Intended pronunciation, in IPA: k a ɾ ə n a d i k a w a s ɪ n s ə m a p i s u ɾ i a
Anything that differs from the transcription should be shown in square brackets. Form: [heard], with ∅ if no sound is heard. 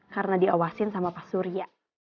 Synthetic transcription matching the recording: k a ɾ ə n a d i [∅] a w a s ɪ n s [a] m a p [a] s u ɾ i a